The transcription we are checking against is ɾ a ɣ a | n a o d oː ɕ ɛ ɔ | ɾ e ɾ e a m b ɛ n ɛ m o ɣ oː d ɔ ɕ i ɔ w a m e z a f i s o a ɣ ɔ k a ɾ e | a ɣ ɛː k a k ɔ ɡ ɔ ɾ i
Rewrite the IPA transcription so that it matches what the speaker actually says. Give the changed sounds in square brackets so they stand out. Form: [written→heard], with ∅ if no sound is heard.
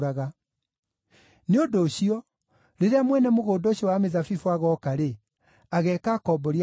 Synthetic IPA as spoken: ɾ a ɣ a | n [a→e] o d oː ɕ [ɛ→i] ɔ | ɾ e ɾ e a m [b→w] ɛ n ɛ m o ɣ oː d ɔ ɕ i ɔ w a m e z a f i [s→f] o a ɣ ɔ k a ɾ e | a ɣ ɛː k a k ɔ [ɡ→b] ɔ ɾ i

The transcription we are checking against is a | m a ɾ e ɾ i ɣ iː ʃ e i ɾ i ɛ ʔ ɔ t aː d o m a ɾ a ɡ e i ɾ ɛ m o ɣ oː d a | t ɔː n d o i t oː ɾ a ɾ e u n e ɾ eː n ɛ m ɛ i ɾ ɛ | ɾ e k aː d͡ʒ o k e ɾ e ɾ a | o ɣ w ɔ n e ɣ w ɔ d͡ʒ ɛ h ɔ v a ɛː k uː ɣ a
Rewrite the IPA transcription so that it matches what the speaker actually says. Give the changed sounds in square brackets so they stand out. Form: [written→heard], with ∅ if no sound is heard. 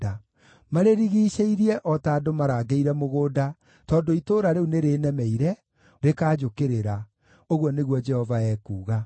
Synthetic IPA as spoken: a | m a ɾ e ɾ i ɣ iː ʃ e i ɾ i ɛ ʔ ɔ t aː d o m a ɾ a ɡ e i ɾ ɛ m o ɣ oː d a | t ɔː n d o i t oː ɾ a ɾ e u n e ɾ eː n ɛ m ɛ i ɾ ɛ | ɾ e k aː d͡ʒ o k e ɾ e ɾ a | o ɣ w ɔ n e ɣ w ɔ d͡ʒ ɛ h ɔ v a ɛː k uː ɣ a

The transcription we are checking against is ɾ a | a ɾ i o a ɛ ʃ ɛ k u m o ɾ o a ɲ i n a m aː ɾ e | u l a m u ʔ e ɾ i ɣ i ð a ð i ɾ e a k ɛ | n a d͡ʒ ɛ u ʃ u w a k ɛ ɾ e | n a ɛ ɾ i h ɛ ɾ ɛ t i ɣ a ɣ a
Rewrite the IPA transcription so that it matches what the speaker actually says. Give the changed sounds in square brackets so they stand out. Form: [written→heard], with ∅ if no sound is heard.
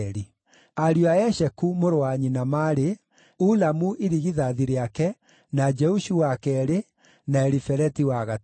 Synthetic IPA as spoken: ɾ [a→i] | a ɾ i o a ɛ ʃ ɛ k u m o ɾ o a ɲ i n a m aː ɾ e | u l a m u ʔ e ɾ i ɣ i ð a ð i ɾ e a k ɛ | n a d͡ʒ ɛ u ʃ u w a k ɛ ɾ e | n a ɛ ɾ i [h→f] ɛ ɾ ɛ t i [ɣ→w] a ɣ a

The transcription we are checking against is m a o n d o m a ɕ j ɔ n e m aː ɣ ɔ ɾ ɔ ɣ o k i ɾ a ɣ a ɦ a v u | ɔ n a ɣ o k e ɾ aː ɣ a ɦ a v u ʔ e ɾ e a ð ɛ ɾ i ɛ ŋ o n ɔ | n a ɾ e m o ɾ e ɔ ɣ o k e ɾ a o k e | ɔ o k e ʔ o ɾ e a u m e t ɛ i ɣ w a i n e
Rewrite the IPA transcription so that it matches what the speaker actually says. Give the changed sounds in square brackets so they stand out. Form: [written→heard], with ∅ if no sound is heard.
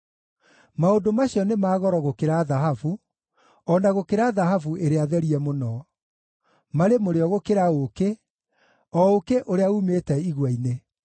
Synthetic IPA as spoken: m a o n d o m a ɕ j ɔ n e m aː ɣ ɔ ɾ ɔ ɣ o k [i→e] ɾ a [ɣ→ð] a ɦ a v u | ɔ n a ɣ o k e ɾ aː [ɣ→ð] a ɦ a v u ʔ e ɾ e a ð ɛ ɾ i ɛ [ŋ→m] o n ɔ | [n→m] a ɾ e m o ɾ e ɔ ɣ o k e ɾ a o k e | ɔ o k e ʔ o ɾ e a u m e t ɛ i ɣ w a i n e

